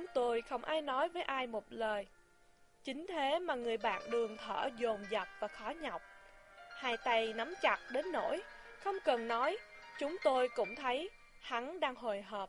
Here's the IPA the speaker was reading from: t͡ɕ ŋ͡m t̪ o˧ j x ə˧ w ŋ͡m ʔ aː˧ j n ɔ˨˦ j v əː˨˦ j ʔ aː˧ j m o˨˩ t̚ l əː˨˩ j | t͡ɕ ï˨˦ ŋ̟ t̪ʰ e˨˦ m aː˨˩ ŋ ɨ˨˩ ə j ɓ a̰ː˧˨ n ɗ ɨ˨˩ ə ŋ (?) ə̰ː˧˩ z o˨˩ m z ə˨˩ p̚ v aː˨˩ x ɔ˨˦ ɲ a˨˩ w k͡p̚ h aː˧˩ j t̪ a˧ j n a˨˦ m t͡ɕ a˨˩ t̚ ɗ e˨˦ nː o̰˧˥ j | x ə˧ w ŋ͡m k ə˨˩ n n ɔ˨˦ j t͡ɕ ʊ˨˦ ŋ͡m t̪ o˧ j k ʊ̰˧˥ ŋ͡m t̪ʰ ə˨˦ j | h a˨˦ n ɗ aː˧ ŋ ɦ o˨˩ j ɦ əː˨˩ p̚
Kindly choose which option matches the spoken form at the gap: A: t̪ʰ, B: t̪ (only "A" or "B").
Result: A